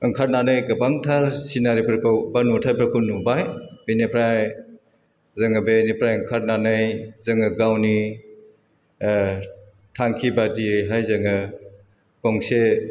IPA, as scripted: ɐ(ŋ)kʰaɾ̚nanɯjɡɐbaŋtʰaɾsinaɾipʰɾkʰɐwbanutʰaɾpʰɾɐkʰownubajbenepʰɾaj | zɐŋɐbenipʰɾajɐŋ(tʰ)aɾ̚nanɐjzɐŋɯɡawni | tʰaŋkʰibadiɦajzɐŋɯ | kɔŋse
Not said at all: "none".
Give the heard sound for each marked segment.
ŋ, kʰ

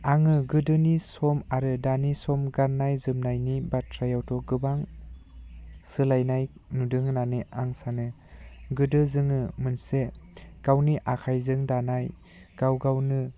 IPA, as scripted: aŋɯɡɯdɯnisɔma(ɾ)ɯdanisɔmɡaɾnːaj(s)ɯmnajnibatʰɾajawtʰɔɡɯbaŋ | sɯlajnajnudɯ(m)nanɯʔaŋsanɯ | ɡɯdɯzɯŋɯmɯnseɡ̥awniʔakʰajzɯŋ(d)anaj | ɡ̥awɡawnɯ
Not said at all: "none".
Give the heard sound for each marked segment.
ɾ, z, ŋ, d

